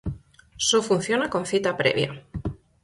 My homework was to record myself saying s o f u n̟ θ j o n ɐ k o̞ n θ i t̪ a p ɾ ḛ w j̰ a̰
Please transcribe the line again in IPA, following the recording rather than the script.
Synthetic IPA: s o f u n̟ θ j o n a k o̞ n θ i t̪ a p ɾ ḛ β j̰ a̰